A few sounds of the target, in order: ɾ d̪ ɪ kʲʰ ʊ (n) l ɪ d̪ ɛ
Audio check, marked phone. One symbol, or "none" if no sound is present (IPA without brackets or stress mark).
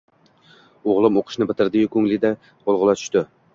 ŋ